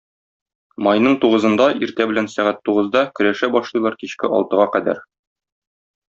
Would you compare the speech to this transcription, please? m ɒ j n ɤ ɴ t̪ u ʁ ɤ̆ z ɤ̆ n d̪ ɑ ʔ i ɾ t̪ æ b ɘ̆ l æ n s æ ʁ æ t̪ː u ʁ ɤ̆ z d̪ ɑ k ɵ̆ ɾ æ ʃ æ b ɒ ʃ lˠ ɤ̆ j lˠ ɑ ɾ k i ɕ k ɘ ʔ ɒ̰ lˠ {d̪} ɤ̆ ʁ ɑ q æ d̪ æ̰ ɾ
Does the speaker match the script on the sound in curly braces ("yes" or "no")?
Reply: no